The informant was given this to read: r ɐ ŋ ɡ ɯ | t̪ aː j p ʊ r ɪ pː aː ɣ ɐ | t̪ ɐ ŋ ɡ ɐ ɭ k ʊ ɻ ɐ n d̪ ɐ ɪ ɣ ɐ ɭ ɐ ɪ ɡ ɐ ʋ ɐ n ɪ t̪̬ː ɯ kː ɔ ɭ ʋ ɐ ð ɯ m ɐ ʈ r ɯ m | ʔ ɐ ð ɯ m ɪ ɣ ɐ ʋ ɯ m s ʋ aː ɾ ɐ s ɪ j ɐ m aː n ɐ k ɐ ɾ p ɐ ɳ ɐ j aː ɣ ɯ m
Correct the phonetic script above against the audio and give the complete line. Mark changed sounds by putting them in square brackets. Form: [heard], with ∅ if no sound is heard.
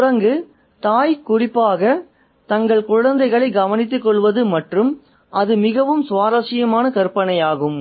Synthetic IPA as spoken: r ɐ ŋ ɡ ɯ | t̪ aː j [k] ʊ r ɪ pː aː ɣ ɐ | t̪ ɐ ŋ ɡ ɐ ɭ k ʊ ɻ ɐ n d̪ ɐ ɪ ɣ ɐ ɭ ɐ ɪ ɡ ɐ ʋ ɐ n ɪ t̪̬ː ɯ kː ɔ ɭ ʋ ɐ ð ɯ m ɐ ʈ r ɯ m | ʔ ɐ ð ɯ m ɪ ɣ ɐ ʋ ɯ m s ʋ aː ɾ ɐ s ɪ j ɐ m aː n ɐ k ɐ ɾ p ɐ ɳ ɐ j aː ɣ ɯ m